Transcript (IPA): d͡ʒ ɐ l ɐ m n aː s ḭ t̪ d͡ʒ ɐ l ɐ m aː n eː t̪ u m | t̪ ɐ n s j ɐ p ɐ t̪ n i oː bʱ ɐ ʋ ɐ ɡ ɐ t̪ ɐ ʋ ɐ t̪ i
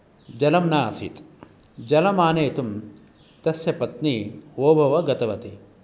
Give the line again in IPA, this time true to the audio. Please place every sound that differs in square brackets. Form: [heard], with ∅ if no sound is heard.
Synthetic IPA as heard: d͡ʒ ɐ l ɐ m n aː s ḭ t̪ d͡ʒ ɐ l ɐ m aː n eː t̪ u m | t̪ ɐ [∅] s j ɐ p ɐ t̪ n i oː bʱ ɐ ʋ ɐ ɡ ɐ t̪ ɐ ʋ ɐ t̪ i